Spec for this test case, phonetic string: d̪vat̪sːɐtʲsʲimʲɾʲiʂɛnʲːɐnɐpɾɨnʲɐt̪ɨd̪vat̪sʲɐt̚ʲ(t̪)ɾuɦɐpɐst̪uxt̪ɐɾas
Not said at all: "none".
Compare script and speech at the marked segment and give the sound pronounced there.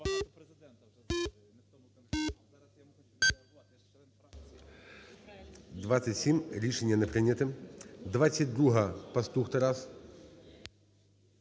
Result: d̪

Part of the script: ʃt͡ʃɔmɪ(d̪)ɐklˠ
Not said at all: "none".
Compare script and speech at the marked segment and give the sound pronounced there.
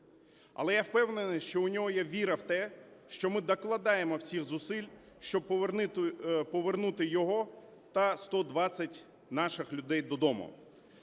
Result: d̪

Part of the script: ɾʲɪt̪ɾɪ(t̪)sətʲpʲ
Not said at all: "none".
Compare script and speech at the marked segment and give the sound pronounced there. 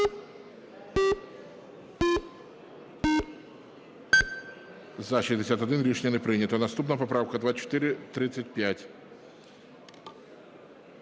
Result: t̪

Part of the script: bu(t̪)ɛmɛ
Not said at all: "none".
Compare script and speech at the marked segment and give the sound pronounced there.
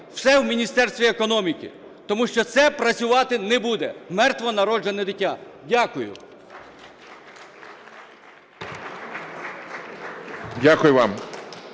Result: d̪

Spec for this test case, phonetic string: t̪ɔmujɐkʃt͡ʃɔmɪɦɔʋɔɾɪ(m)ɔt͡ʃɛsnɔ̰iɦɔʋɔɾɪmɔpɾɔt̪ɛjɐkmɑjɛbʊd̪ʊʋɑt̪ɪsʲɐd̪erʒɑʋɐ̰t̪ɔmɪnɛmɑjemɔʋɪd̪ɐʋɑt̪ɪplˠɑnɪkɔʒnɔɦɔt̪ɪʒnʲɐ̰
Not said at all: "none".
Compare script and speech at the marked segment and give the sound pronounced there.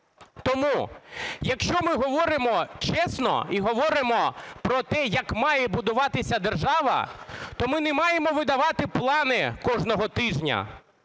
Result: m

